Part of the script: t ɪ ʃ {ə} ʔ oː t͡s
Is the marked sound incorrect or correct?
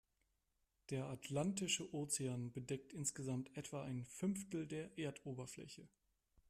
correct